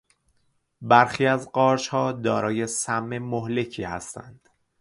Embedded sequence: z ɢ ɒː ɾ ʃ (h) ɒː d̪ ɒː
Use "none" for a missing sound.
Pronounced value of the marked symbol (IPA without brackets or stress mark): h